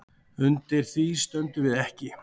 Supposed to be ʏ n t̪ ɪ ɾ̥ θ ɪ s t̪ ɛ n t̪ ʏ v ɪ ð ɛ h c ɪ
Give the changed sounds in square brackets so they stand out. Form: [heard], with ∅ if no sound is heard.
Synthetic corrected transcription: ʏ n t̪ ɪ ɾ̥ θ [i] s t̪ [œ] n t̪ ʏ v ɪ ð ɛ h c ɪ